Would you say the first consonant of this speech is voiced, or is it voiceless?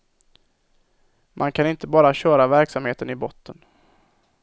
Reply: voiced